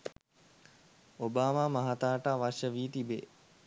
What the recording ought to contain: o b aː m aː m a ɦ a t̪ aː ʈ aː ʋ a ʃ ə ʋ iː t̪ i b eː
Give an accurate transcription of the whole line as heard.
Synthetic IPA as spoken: o b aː m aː m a ɦ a t̪ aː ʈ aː ʋ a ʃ ə ʋ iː t̪ i b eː